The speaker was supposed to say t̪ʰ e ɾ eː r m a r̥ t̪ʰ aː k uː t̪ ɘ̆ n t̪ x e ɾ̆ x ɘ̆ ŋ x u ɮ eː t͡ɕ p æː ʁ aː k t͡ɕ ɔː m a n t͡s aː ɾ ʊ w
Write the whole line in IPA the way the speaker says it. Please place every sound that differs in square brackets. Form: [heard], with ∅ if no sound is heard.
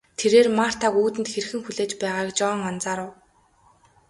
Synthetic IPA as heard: t̪ʰ e ɾ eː r m a r̥ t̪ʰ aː k uː t̪ ɘ̆ n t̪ x e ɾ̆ x ɘ̆ ŋ x u ɮ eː t͡ɕ p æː ʁ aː k t͡ɕ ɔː [ŋ] a n t͡s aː ɾ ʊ w